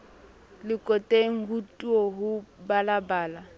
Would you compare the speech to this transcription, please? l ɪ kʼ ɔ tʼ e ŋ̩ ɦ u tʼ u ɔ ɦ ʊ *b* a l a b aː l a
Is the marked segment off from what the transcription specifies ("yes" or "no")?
no